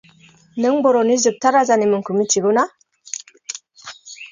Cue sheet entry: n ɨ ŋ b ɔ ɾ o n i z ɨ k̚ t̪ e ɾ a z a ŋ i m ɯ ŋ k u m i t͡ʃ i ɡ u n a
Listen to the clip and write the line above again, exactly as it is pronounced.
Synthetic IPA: n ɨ ŋ b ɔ ɾ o n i z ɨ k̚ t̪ a ɾ a z a n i m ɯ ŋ k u m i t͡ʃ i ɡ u n a